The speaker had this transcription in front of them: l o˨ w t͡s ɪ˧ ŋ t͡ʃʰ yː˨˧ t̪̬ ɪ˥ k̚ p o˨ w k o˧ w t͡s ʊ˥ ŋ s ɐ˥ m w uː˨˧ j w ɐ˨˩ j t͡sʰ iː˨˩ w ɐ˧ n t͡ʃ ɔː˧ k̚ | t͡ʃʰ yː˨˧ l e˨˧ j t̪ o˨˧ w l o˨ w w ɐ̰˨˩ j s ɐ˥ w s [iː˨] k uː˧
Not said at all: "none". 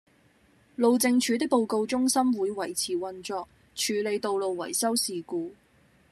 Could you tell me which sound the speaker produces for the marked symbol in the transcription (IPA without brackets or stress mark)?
iː˨